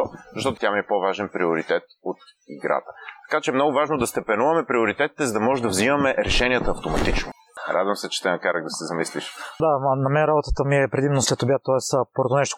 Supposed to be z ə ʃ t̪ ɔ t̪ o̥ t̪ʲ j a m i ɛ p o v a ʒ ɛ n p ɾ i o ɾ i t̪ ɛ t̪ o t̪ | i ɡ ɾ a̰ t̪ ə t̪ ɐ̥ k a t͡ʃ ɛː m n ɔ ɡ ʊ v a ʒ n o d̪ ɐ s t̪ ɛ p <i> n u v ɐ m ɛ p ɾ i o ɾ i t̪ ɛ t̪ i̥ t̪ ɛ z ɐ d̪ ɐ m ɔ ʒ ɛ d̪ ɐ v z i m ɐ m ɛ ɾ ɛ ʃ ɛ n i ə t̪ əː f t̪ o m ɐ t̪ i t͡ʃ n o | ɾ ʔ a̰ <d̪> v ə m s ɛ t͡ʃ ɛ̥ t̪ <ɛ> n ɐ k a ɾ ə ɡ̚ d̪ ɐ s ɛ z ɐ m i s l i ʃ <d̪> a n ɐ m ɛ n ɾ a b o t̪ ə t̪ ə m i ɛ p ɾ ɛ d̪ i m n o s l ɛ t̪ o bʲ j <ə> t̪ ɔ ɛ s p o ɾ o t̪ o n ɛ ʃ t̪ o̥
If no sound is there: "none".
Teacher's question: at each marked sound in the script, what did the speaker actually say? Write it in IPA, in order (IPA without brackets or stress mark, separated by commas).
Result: ɛ, d̪, ɛ, d̪, a